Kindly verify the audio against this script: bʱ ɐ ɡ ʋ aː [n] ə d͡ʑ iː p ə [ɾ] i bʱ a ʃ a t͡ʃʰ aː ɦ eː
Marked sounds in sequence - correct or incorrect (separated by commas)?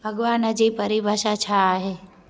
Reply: correct, correct